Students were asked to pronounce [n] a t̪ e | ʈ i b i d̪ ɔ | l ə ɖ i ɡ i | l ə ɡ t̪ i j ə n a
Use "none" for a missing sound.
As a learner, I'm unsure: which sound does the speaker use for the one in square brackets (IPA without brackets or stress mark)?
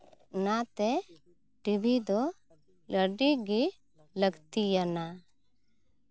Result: n